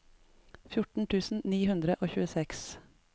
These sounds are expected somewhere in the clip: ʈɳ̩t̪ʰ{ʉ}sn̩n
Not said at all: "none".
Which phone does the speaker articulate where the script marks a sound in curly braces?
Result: ʉː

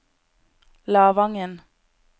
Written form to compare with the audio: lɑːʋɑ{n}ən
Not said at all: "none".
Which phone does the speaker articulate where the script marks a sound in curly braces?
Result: ŋ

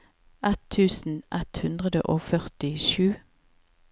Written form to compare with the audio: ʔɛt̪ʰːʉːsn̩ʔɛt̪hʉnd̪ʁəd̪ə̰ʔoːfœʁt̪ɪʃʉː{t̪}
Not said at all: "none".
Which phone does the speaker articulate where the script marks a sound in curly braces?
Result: none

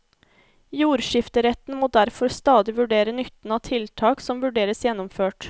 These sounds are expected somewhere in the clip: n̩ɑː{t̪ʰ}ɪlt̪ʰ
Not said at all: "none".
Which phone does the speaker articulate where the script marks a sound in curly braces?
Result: t̪ʰ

